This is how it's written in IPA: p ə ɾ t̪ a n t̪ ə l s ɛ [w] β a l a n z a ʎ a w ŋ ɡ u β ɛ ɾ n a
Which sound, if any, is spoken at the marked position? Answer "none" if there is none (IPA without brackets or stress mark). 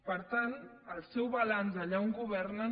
w